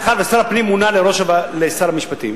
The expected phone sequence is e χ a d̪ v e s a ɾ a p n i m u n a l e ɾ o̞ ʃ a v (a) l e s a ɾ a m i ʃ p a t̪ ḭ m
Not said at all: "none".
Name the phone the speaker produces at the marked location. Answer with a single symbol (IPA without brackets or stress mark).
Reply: a